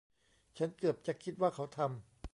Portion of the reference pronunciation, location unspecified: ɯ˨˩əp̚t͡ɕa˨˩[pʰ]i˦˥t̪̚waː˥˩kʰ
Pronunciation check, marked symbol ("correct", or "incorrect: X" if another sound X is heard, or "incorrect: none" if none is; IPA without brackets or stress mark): incorrect: kʰ